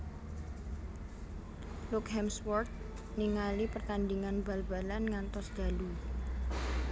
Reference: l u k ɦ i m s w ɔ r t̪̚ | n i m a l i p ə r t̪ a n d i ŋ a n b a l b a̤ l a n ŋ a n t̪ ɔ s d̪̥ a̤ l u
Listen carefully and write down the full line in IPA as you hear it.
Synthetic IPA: l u k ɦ ɛ m s w ɔ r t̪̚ | n i ŋ a l i p ə r t̪ a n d i ŋ a n b a l b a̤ l a n ŋ a n t̪ ɔ s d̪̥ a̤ l u